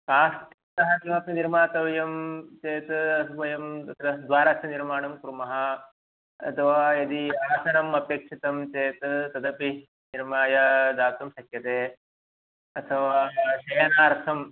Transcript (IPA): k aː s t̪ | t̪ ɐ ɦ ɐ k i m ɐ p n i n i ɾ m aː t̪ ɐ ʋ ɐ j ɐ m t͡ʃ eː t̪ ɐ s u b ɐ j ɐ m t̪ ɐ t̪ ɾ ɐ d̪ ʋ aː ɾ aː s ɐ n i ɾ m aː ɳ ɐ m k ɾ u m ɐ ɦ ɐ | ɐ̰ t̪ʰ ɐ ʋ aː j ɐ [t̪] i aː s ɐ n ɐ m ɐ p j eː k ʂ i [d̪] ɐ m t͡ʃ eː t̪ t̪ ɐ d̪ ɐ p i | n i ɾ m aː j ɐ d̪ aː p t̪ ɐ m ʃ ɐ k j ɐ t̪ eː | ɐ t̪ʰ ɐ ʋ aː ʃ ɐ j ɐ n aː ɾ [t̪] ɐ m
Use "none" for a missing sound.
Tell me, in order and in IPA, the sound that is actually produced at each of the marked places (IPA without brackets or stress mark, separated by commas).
d̪, t̪, t̪ʰ